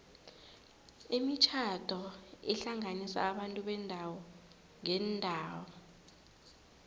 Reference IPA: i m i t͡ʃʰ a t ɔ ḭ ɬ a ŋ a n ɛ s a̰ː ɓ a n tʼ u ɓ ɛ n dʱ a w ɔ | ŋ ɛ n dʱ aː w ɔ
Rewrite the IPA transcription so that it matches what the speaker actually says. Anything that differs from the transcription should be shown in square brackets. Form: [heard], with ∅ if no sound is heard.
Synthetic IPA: i m i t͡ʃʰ a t ɔ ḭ ɬ a ŋ a n [i] s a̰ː ɓ a n tʼ u ɓ ɛ n dʱ a w ɔ | ŋ ɛ n dʱ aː w ɔ